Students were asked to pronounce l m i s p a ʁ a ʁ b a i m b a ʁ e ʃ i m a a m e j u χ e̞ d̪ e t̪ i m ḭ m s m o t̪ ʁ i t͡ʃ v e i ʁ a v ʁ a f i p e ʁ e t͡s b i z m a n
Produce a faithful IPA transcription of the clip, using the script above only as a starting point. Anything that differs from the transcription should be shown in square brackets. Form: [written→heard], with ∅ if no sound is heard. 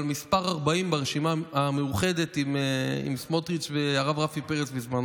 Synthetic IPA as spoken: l m i s p a ʁ a ʁ b a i m b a ʁ e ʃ i m a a m e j u χ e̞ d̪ e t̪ i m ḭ m s m o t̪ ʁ i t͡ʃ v e [i→a] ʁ a v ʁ a f i p e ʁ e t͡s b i z m a n